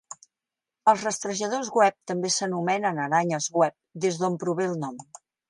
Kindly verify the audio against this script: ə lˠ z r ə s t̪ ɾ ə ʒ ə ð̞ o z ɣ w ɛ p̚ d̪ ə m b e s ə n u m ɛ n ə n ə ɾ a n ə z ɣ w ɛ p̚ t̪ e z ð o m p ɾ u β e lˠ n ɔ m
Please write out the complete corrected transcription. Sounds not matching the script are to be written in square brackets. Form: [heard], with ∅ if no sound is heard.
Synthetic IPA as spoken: ə lˠ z r ə s t̪ ɾ ə ʒ ə ð̞ o z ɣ w ɛ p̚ [t̪] ə m b e s ə n u m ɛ n ə n ə ɾ a [ɲ] ə z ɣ w ɛ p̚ [d̪] e z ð o m p ɾ u β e lˠ n ɔ m